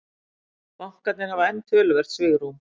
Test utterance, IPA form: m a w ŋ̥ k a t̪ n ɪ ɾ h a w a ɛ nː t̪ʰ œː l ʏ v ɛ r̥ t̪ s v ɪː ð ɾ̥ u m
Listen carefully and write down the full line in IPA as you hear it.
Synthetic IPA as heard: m a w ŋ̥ k a t̪ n ɪ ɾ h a v a ɛ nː t̪ʰ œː l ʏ v ɛ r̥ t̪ s v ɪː ɣ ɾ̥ u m